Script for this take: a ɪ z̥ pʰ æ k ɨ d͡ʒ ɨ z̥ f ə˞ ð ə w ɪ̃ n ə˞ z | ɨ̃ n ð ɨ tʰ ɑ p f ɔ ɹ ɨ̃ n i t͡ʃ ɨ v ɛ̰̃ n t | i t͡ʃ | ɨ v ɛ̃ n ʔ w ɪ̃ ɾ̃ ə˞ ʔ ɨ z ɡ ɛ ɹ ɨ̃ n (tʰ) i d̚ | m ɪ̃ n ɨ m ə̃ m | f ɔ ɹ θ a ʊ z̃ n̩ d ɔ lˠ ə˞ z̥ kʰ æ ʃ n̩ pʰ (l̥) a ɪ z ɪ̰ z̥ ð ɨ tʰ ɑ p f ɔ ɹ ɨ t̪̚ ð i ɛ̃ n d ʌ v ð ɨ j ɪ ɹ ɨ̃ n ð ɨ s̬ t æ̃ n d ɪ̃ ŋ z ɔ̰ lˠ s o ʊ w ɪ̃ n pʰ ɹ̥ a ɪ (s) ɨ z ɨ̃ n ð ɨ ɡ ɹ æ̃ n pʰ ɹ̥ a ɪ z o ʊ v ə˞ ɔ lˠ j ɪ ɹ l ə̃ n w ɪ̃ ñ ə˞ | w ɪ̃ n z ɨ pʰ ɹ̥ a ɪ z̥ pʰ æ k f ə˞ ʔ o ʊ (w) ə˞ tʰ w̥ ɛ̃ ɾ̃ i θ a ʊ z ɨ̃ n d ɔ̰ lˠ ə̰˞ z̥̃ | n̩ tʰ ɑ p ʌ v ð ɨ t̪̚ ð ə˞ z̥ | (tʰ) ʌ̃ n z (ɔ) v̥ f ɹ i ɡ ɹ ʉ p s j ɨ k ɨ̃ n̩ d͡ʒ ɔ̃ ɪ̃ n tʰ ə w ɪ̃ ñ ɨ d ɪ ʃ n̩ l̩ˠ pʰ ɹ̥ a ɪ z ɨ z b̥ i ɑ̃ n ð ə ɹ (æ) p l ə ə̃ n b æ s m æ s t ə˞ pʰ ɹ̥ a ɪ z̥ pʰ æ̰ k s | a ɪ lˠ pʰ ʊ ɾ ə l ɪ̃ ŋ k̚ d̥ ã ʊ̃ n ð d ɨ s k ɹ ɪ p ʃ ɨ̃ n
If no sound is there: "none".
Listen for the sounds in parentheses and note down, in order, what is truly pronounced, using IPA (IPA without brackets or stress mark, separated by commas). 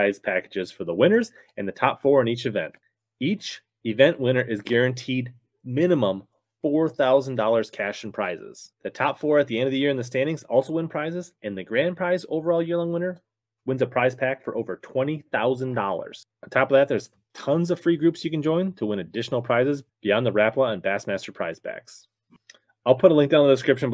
tʰ, ɹ̥, z, v, tʰ, ʌ, æ